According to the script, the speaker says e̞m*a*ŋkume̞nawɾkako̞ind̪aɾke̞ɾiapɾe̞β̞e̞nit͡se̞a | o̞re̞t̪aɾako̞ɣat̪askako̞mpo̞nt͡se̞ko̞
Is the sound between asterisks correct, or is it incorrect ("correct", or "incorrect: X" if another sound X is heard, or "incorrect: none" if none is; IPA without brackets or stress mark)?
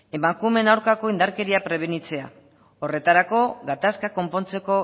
correct